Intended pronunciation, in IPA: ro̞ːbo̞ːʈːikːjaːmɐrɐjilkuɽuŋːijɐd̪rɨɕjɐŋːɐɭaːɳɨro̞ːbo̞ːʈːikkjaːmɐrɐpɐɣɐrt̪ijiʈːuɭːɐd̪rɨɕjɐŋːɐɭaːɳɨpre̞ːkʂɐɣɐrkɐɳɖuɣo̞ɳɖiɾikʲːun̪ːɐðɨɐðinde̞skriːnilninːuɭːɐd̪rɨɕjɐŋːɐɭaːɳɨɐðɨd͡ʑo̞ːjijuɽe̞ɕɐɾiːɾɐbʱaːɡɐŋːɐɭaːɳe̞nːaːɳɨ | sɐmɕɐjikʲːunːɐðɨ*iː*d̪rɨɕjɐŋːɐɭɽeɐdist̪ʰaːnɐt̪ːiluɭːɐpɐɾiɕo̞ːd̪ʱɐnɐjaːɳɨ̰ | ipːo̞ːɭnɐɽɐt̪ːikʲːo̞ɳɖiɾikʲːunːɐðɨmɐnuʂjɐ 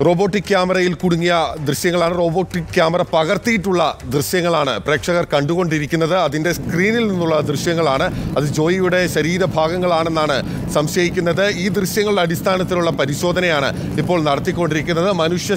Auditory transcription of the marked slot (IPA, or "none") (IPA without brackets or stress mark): iː